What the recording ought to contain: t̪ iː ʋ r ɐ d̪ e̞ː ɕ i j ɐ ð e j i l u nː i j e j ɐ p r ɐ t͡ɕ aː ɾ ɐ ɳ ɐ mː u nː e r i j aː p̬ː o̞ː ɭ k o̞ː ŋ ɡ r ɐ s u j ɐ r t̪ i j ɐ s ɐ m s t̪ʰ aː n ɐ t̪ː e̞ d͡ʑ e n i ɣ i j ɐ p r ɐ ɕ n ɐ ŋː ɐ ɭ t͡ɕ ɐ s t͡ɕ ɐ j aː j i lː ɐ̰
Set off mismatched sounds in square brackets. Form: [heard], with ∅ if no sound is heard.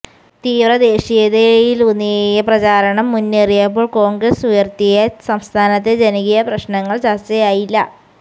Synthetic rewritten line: t̪ iː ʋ r ɐ d̪ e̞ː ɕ i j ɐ ð e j i l u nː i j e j ɐ p r ɐ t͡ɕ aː ɾ ɐ ɳ ɐ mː u nː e r i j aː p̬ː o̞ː ɭ k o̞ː ŋ ɡ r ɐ s u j ɐ r t̪ i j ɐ s ɐ m s t̪ʰ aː n ɐ t̪ː e̞ d͡ʑ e n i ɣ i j ɐ p r ɐ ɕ n ɐ ŋː ɐ ɭ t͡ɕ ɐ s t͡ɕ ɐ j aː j i lː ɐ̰